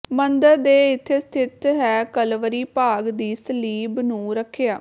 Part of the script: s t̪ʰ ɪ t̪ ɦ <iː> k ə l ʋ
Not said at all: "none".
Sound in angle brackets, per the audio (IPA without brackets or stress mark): ɛː